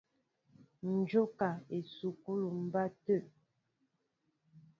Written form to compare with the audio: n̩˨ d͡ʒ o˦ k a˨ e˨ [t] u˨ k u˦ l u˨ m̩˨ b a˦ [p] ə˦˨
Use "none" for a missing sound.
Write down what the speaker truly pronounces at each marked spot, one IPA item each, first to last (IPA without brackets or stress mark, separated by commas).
s, t